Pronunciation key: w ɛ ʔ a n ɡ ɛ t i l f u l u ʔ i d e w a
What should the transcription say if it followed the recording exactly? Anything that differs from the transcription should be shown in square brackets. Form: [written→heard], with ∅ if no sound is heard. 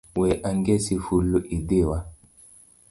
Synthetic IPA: w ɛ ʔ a [n→ŋ] ɡ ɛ [t→s] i [l→∅] f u l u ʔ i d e w a

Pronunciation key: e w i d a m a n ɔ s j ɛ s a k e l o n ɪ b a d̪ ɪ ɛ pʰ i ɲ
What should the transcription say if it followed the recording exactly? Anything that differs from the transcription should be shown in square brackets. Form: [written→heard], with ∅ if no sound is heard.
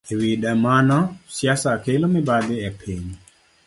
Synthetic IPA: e w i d a m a n ɔ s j [ɛ→a] s a k e l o [n→m] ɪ b a d̪ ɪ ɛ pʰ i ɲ

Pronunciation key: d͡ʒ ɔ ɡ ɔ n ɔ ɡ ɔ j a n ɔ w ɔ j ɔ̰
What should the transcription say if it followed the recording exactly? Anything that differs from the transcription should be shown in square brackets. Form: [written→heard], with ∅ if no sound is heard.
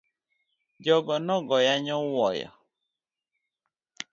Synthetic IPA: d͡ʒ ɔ ɡ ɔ n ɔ ɡ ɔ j a [n→ɲ] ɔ w ɔ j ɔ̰

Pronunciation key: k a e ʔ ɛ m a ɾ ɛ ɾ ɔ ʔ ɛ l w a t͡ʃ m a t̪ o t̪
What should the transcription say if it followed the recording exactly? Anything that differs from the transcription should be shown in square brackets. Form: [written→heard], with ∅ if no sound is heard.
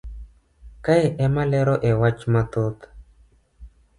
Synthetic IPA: k a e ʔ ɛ m a [ɾ→l] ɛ ɾ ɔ ʔ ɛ [l→∅] w a t͡ʃ m a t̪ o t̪

